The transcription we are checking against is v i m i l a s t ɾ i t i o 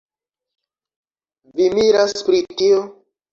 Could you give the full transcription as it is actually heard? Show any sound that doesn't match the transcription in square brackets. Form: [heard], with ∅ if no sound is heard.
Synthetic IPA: v i m i [ɾ] a s [p] ɾ i t i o